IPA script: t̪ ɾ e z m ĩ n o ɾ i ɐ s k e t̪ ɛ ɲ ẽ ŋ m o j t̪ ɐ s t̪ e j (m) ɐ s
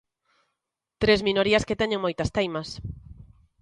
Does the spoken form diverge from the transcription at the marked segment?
no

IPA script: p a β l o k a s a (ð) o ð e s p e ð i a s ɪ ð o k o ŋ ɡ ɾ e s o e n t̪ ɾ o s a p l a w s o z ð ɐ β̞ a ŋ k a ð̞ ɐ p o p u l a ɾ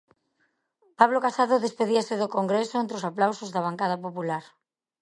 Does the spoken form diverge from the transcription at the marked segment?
no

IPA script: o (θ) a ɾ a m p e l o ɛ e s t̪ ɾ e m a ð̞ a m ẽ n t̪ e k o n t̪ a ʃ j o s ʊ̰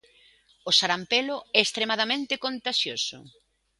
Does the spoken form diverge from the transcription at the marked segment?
yes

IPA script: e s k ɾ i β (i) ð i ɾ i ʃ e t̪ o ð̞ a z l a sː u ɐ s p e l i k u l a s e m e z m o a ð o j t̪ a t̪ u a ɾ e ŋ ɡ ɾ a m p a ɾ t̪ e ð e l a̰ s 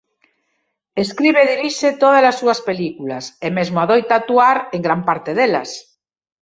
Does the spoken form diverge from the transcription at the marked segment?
yes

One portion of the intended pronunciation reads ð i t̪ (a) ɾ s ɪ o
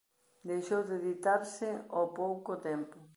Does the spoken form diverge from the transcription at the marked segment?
no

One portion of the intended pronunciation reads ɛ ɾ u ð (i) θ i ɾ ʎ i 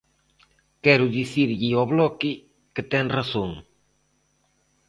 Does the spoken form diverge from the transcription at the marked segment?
no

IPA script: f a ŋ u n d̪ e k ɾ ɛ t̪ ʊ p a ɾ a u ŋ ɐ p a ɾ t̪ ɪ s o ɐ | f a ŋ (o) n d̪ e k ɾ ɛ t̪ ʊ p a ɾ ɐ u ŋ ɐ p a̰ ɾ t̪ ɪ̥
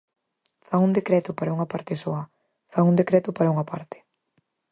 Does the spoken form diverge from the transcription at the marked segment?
yes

